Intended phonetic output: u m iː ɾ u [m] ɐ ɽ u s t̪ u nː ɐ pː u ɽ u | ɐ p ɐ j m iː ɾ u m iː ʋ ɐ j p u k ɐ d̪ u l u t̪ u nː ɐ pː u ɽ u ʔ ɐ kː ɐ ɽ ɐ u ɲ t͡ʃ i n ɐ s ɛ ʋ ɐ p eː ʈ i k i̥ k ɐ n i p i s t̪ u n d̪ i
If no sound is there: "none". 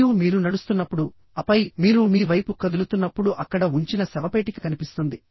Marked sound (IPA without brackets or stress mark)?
n